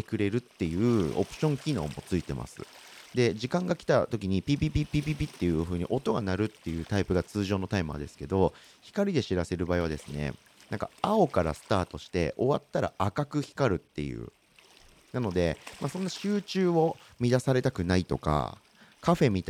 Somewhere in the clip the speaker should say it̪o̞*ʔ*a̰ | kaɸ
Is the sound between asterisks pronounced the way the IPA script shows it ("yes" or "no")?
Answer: no